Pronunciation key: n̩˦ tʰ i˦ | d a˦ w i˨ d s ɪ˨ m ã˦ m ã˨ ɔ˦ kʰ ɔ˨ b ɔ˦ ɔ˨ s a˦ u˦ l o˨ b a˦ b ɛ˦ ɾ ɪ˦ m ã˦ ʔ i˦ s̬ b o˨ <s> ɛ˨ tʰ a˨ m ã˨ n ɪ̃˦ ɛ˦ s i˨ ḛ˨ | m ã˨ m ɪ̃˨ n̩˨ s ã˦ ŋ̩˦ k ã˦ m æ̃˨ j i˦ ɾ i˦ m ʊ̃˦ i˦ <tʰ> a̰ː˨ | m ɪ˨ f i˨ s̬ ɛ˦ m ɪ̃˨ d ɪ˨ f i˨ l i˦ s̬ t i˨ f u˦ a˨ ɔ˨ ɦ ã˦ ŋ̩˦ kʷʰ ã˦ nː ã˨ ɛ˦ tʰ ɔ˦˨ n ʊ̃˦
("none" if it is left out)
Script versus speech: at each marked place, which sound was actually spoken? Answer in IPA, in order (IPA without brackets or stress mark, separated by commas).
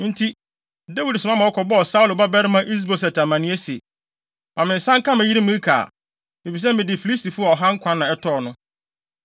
s, kʰ